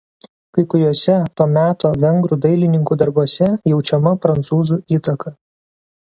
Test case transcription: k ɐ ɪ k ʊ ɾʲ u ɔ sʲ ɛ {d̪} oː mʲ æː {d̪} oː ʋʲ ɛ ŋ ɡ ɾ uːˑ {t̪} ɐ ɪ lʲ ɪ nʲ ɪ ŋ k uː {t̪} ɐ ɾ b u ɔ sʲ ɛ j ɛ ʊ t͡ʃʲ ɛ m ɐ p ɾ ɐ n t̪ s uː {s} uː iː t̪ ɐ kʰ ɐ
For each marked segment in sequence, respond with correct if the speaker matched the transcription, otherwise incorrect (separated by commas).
incorrect, incorrect, incorrect, incorrect, incorrect